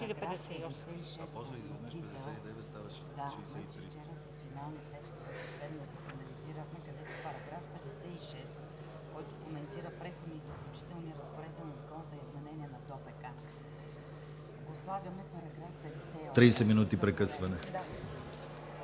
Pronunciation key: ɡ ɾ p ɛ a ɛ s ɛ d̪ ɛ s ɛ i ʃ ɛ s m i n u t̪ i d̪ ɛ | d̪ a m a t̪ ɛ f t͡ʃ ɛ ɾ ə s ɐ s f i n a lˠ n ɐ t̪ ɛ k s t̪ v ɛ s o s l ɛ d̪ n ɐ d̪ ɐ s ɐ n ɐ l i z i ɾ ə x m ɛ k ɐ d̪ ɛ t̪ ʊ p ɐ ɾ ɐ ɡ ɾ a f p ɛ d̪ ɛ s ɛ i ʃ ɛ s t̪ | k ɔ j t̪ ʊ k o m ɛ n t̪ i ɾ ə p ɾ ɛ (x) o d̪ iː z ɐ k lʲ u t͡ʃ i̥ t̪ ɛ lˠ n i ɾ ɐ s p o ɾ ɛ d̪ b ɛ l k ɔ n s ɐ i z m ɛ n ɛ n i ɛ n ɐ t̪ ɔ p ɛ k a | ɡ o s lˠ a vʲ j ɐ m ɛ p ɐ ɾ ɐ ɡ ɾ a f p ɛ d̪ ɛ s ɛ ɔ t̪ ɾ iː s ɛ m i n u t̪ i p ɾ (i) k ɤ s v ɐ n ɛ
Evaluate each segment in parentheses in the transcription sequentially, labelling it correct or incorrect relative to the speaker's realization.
correct, incorrect: ɛ

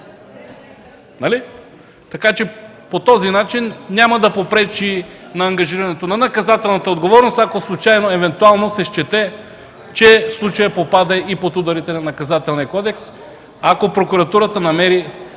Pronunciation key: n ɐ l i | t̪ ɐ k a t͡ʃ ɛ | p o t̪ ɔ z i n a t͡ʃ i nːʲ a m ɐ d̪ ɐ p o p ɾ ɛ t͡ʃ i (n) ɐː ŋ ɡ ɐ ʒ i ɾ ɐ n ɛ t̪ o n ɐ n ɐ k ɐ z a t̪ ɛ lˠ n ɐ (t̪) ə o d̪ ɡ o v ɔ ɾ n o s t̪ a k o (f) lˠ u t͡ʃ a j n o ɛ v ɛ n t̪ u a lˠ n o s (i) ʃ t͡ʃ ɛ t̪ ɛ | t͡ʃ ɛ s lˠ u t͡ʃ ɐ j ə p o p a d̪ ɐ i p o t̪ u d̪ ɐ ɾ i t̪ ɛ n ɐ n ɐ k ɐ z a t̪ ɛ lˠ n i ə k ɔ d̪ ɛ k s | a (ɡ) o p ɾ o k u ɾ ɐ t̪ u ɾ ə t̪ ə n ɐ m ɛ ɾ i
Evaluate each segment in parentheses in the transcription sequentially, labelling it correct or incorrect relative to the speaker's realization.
correct, correct, incorrect: s, incorrect: ɛ, incorrect: k

